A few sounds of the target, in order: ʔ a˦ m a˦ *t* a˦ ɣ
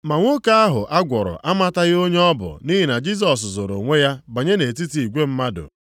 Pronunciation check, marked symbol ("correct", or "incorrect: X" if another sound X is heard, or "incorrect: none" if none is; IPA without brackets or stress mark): correct